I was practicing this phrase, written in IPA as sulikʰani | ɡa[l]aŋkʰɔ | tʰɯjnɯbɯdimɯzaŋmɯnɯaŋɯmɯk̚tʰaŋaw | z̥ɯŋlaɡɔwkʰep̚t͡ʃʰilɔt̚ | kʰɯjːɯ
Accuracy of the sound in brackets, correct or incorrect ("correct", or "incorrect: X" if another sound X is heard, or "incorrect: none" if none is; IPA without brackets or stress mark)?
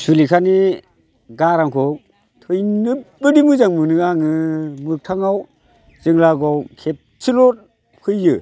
incorrect: ɾ